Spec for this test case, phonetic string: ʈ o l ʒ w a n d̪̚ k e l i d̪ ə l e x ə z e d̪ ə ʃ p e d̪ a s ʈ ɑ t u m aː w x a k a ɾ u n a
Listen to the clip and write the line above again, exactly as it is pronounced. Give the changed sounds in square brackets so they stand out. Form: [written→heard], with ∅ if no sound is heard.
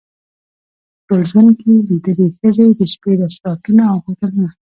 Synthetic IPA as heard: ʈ o l ʒ w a n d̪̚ k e l i d̪ ə l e x ə z e d̪ ə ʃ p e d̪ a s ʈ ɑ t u [m→n] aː w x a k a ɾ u n a